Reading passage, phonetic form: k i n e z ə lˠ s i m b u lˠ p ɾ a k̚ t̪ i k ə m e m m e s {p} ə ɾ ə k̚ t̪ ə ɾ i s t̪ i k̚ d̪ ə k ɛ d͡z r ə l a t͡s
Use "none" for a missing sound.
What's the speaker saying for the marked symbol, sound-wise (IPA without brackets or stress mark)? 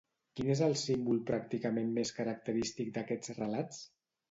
k